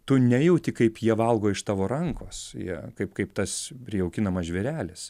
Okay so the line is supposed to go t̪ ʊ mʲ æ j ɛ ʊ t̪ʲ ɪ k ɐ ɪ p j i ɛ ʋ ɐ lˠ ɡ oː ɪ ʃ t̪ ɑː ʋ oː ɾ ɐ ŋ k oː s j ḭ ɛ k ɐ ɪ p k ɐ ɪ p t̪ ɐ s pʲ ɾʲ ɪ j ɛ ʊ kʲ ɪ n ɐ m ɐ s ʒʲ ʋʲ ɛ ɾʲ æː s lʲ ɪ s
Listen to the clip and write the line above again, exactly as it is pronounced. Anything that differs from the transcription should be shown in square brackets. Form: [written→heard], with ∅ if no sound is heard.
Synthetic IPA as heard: t̪ ʊ [mʲ→nʲ] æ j ɛ ʊ t̪ʲ ɪ k ɐ ɪ p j i ɛ ʋ ɐ lˠ ɡ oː ɪ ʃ t̪ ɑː ʋ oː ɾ ɐ ŋ k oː s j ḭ ɛ k ɐ ɪ p k ɐ ɪ p t̪ ɐ s pʲ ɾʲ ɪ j ɛ ʊ kʲ ɪ n ɐ m ɐ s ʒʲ ʋʲ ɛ ɾʲ æː [s→∅] lʲ ɪ s